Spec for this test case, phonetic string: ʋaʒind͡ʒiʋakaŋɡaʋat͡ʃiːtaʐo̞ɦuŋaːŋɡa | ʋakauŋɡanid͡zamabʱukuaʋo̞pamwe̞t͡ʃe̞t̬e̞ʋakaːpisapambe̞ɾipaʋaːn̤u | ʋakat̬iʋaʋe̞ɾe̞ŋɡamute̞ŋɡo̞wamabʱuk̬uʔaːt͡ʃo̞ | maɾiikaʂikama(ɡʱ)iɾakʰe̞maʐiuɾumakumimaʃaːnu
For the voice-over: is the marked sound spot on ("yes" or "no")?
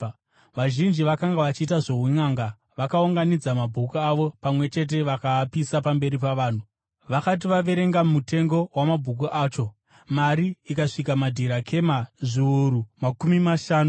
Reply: no